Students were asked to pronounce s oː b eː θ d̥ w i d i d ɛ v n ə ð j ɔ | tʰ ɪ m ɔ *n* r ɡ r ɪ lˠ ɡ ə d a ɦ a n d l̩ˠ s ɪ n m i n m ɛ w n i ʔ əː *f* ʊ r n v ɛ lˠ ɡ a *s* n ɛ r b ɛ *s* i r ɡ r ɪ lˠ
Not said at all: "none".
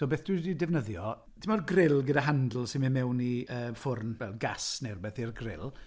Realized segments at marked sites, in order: none, f, s, θ

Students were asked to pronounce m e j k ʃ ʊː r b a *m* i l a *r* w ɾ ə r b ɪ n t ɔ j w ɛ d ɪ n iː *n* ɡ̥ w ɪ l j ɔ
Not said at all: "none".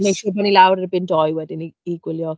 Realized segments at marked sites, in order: n, none, none

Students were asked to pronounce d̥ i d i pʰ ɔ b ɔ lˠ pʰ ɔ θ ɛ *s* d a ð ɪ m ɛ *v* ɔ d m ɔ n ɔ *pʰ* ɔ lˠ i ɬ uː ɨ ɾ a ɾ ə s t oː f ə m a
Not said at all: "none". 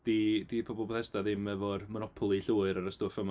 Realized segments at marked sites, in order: s, v, pʰ

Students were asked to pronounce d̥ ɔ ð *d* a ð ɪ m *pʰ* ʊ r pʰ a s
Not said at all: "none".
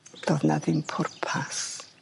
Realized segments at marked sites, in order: n, pʰ

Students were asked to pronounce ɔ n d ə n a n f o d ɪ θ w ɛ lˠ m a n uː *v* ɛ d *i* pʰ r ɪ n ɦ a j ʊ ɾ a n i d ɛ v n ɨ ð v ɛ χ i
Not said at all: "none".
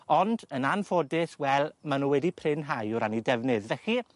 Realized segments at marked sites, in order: w, i

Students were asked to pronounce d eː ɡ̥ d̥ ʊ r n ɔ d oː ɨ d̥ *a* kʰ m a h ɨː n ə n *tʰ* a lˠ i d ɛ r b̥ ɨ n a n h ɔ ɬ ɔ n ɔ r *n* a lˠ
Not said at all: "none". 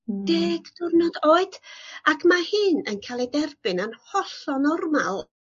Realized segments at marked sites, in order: a, kʰ, m

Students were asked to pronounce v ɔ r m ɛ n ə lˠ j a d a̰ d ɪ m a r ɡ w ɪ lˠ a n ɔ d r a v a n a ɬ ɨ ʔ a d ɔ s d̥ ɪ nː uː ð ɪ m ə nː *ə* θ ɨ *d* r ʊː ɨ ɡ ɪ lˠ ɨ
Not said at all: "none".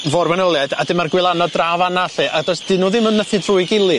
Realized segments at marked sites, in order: ə, d

